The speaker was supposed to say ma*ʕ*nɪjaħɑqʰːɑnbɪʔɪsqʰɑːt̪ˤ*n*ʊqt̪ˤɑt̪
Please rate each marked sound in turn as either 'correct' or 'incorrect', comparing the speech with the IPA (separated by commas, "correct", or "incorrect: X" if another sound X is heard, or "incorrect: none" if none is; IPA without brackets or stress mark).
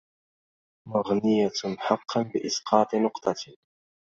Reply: incorrect: ɣ, correct